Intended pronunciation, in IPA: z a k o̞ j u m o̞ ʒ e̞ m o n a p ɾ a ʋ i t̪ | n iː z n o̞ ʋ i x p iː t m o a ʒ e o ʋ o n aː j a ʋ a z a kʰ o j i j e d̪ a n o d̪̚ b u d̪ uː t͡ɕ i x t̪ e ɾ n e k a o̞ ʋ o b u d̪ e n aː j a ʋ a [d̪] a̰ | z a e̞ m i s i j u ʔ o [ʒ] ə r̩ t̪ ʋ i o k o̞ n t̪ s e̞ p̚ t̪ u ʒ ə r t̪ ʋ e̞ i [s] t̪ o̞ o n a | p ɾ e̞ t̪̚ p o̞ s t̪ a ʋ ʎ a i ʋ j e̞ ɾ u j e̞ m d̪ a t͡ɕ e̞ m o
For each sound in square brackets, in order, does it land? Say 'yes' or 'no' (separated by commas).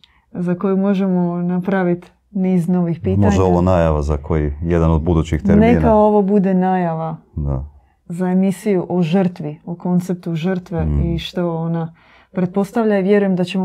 yes, yes, no